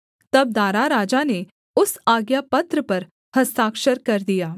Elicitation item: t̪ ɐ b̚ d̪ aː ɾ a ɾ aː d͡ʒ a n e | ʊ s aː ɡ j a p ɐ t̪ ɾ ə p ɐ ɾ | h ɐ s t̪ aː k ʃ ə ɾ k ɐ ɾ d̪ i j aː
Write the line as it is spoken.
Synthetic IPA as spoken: t̪ ɐ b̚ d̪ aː ɾ a ɾ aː d͡ʒ a n e | ʊ s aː ɡ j a p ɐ t̪ ɾ ə p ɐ ɾ | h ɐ s t̪ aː k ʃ ə ɾ k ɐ ɾ d̪ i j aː